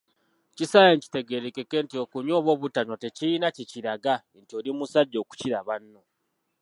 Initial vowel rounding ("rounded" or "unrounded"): unrounded